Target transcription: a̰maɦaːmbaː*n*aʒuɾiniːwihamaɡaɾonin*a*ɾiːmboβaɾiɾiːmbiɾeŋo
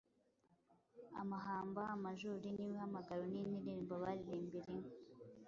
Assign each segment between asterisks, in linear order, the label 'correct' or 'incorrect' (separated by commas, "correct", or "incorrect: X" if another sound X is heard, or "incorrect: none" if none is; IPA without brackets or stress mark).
incorrect: m, incorrect: i